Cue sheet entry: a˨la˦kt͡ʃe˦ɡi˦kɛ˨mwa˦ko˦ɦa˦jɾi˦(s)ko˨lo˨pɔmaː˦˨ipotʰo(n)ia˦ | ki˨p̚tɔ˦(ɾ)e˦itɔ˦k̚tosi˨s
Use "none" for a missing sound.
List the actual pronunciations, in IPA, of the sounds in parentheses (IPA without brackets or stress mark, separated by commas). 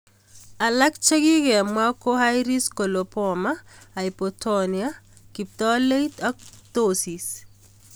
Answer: s, n, l